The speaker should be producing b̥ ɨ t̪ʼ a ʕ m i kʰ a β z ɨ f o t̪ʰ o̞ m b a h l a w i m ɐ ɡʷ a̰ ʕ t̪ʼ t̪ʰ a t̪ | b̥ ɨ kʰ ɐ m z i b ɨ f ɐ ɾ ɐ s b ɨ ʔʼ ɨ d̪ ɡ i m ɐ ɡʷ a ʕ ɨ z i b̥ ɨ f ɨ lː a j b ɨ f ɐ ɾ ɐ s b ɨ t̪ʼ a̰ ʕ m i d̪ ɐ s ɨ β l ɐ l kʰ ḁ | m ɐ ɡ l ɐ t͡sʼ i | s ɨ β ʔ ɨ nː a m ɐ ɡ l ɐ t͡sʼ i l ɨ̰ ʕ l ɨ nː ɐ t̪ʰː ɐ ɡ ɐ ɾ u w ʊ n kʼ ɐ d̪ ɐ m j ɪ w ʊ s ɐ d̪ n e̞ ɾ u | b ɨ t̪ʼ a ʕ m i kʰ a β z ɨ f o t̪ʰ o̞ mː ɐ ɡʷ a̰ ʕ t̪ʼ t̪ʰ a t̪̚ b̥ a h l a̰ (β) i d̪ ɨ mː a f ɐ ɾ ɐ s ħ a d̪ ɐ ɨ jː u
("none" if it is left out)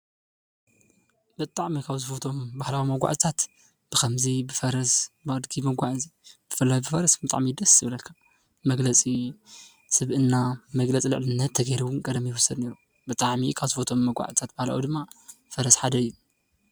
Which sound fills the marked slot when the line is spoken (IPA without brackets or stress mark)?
w